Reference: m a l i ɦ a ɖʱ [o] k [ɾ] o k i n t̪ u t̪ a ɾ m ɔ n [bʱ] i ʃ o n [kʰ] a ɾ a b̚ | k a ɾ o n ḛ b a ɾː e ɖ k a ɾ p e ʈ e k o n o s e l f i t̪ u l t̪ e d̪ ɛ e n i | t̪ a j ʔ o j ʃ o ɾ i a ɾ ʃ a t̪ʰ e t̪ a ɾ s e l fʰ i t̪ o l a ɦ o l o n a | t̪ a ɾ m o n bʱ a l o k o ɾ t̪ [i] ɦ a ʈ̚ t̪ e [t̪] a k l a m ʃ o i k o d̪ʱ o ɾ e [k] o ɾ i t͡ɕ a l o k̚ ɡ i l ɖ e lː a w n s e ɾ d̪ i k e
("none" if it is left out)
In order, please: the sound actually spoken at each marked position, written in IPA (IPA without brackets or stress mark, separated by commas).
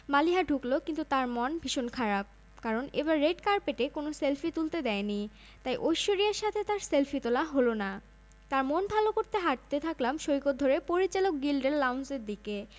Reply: u, l, bʱ, kʰ, e, t̪ʰ, p